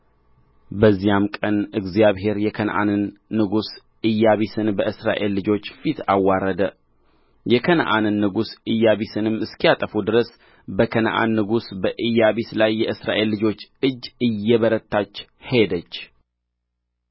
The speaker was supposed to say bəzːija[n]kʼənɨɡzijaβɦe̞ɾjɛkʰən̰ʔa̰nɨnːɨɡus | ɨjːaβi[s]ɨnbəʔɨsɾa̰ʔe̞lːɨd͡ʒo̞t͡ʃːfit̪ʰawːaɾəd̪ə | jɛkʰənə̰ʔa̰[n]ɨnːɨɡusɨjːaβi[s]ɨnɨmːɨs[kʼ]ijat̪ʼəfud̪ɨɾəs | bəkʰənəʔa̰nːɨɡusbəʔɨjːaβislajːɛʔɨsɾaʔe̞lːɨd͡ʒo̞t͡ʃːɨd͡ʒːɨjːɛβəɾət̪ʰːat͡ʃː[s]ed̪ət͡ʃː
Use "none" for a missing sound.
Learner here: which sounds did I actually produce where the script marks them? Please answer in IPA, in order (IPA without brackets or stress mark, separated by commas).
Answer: m, s, n, s, k, h